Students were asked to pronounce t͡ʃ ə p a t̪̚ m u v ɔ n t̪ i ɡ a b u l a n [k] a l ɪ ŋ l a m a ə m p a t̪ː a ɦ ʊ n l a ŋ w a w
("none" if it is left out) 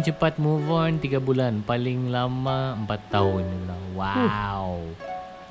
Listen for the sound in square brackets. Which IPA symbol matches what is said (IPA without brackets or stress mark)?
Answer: p